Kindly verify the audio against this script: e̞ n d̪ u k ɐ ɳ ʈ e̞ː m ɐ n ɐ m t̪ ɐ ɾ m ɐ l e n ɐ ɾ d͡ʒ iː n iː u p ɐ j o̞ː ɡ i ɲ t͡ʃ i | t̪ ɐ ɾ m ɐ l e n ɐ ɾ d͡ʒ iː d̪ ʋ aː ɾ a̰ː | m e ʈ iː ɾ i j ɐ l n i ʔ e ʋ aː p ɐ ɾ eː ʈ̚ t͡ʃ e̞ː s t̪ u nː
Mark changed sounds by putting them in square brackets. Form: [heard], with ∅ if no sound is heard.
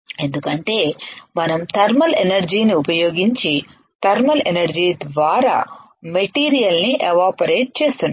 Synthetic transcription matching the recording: e̞ n d̪ u k ɐ ɳ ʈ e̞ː m ɐ n ɐ m t̪ ɐ ɾ m ɐ l e n ɐ ɾ d͡ʒ iː n [i] u p ɐ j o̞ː ɡ i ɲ t͡ʃ i | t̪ ɐ ɾ m ɐ l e n ɐ ɾ d͡ʒ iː d̪ ʋ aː ɾ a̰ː | m e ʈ iː ɾ i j ɐ l n i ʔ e ʋ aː p ɐ ɾ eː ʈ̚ t͡ʃ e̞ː s t̪ u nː